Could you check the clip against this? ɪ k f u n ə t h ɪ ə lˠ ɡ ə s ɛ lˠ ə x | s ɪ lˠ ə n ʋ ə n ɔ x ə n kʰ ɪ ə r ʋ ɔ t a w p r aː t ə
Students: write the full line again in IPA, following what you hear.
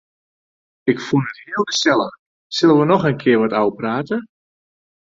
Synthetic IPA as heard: ɪ k f u n ə t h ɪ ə lˠ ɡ ə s ɛ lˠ ə x | s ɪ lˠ ə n ʋ ə n ɔ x ə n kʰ ɪ ə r ʋ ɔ t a w p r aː t ə